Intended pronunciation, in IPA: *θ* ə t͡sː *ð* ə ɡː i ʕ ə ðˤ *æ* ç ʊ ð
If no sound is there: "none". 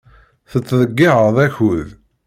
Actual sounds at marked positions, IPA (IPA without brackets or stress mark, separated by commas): θ, ð, æ